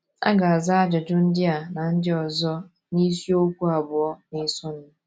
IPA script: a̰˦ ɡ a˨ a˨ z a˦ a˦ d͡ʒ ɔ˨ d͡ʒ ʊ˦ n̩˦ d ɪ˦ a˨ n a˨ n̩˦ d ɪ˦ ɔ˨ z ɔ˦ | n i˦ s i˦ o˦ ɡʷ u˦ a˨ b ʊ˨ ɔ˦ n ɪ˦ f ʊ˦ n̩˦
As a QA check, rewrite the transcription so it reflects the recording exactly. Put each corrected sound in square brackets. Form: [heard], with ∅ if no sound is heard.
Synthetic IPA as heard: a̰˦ ɡ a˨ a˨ z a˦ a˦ d͡ʒ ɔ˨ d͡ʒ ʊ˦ n̩˦ d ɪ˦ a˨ n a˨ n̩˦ d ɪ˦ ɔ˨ z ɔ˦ | n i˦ s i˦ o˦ [kʷ] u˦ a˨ b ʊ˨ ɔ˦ n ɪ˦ [s] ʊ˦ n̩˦